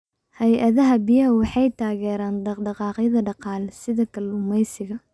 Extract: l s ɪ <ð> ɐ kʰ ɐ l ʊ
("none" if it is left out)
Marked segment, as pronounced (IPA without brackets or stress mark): ð